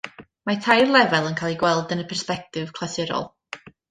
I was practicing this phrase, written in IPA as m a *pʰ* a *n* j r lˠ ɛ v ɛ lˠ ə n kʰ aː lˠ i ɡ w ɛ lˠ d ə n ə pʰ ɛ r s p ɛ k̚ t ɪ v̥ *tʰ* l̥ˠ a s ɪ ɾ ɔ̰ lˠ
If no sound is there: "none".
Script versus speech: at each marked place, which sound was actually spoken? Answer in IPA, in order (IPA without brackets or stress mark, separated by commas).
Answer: tʰ, none, kʰ